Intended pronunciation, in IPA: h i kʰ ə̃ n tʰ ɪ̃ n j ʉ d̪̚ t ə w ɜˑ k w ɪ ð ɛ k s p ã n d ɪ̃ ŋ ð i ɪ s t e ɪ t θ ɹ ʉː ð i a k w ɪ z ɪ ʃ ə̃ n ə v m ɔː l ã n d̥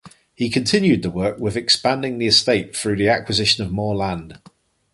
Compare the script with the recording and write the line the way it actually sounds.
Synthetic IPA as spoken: h i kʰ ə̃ n tʰ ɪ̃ n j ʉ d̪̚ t ə w ɜˑ k w ɪ ð ɛ k s p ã n d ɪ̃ ŋ ð i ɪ s t e ɪ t θ ɹ ʉː ð i a k w ɪ z ɪ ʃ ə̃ n ə v m ɔː l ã n d̥